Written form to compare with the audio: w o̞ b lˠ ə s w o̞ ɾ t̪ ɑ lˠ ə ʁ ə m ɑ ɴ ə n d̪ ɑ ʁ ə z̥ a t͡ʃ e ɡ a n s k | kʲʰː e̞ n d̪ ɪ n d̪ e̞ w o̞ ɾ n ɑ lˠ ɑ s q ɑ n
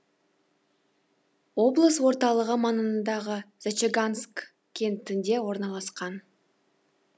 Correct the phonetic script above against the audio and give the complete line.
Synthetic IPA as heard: w o̞ b lˠ ə s w o̞ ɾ t̪ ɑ lˠ ə ʁ ə m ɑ n ə n d̪ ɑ ʁ ə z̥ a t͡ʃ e ɡ a n s k | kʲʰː e̞ n t̪ ɪ n d̪ e̞ w o̞ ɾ n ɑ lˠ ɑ s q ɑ n

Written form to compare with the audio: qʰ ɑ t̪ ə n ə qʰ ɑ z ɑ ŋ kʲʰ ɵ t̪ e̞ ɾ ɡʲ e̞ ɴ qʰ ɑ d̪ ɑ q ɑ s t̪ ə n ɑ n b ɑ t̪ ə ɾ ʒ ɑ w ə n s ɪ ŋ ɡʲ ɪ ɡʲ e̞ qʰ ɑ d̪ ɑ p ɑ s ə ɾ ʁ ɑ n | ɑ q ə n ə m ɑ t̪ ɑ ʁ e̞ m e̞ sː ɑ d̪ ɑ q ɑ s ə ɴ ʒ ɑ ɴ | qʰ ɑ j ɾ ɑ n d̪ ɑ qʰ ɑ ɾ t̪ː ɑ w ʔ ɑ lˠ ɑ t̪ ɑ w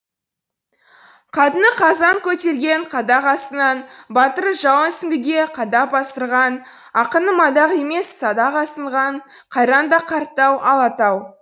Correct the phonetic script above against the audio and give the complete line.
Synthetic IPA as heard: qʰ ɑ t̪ ə n ə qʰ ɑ z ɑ ŋ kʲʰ ɵ t̪ e̞ ɾ ɡʲ e̞ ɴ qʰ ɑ d̪ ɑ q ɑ s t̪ ə n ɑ n b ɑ t̪ ə ɾ ʒ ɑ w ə n s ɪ ŋ ɡʲ ɪ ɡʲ e̞ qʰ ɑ d̪ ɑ p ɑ s ə ɾ ʁ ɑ n | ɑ q ə n ə m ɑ d̪ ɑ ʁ e̞ m e̞ sː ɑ d̪ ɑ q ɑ s ə ɴ ʁ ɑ ɴ | qʰ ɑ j ɾ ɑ n d̪ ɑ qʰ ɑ ɾ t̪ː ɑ w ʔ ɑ lˠ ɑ t̪ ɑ w

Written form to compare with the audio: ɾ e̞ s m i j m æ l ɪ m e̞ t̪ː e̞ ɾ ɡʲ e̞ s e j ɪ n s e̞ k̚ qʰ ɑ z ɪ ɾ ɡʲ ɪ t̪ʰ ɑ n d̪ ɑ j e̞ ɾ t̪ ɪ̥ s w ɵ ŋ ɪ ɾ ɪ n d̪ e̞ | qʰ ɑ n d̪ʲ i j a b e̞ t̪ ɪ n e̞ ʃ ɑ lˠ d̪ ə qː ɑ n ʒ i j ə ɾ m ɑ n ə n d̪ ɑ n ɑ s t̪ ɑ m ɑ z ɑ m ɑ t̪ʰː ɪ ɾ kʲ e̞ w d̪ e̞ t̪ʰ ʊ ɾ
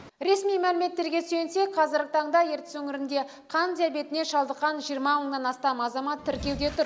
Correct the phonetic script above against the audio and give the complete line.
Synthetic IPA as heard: ɾ e̞ s m i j m æ l ɪ m e̞ t̪ː e̞ ɾ ɡʲ e̞ s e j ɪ n s e̞ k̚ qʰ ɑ z ɪ ɾ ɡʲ ɪ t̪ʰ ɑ ɴ d̪ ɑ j e̞ ɾ t̪ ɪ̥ s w ɵ ŋ ɪ ɾ ɪ n d̪ e̞ | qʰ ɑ n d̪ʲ i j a b e̞ t̪ ɪ n e̞ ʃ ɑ lˠ d̪ ə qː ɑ n ʒ i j ə ɾ m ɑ m ə ɴ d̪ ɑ n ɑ s t̪ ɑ m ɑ z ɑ m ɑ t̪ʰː ɪ ɾ kʲ e̞ w d̪ e̞ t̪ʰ ʊ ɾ

